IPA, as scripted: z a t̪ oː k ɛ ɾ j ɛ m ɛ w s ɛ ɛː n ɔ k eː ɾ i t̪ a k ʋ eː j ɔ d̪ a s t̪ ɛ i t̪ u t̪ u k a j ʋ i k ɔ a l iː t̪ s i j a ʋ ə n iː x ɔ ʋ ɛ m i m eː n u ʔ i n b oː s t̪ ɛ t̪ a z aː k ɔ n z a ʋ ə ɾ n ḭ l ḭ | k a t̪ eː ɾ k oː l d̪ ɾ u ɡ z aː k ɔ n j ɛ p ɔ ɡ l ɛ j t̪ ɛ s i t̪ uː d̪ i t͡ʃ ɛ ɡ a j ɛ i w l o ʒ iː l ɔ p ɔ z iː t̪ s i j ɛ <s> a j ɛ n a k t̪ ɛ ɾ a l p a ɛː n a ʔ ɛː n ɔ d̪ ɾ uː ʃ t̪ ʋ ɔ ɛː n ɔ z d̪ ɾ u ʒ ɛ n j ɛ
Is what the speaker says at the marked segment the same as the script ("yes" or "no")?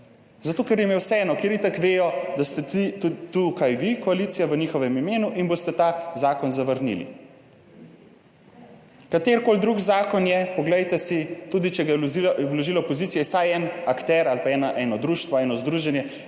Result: yes